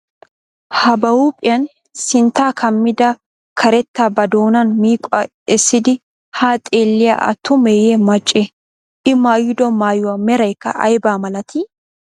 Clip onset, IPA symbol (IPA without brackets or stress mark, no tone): h